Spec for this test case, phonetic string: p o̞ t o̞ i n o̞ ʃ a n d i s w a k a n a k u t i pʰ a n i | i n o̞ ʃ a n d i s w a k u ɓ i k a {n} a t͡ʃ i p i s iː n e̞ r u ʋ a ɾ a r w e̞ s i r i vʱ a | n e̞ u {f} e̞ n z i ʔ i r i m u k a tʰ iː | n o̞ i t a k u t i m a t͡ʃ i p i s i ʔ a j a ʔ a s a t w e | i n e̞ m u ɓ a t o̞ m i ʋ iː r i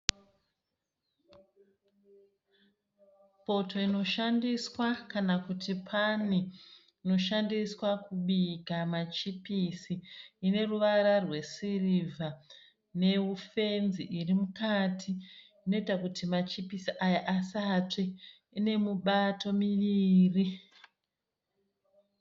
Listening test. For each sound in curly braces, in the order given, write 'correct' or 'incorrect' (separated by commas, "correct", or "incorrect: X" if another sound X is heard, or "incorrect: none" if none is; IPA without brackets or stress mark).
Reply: incorrect: m, correct